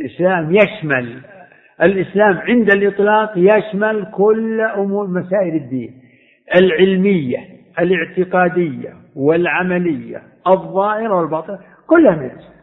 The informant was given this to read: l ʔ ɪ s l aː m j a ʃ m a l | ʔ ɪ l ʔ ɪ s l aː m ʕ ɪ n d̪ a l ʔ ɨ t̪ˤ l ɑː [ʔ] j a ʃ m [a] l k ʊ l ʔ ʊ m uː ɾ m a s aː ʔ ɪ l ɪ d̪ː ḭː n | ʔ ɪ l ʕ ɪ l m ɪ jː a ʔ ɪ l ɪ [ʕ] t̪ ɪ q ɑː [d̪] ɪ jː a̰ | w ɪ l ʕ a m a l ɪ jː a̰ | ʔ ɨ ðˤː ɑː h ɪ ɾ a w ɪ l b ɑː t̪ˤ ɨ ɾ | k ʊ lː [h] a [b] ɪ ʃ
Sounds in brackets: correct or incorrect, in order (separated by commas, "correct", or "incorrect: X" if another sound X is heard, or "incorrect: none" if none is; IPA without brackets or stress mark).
incorrect: q, correct, correct, correct, correct, incorrect: m